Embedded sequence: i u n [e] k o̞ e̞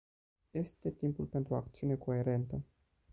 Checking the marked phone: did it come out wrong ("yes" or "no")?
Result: no